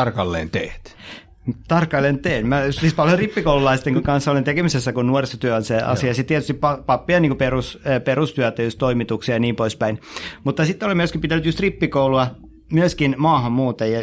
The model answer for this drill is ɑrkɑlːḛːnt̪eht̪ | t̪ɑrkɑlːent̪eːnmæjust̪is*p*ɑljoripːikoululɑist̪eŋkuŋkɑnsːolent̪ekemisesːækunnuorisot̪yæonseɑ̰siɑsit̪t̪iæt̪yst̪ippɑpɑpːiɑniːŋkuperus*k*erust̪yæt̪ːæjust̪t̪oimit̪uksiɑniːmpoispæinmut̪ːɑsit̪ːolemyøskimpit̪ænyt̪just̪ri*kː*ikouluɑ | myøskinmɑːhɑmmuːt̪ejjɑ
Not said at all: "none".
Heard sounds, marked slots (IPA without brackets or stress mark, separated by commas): p, p, pː